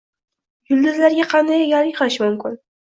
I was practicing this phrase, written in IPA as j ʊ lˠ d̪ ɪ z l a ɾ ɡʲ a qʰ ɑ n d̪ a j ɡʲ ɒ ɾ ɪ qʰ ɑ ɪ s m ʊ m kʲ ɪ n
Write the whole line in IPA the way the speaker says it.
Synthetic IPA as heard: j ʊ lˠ d̪ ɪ z l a ɾ ɡʲ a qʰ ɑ n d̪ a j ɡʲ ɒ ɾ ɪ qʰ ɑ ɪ ʃ m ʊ m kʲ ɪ n